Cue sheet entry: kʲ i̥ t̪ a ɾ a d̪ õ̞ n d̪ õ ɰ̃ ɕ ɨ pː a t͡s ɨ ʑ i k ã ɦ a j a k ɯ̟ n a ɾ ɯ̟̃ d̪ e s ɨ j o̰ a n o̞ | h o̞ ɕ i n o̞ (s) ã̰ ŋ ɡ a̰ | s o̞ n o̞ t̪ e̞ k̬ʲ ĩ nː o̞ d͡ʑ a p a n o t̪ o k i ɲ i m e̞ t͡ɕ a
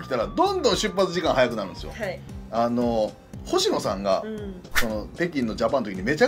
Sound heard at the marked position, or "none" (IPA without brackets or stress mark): s